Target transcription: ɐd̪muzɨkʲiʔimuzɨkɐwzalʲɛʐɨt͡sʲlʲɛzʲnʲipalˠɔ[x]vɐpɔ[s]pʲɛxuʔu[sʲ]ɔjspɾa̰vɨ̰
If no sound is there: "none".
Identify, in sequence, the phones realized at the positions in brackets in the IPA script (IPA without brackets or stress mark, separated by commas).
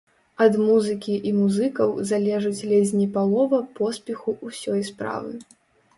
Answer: none, s, sʲ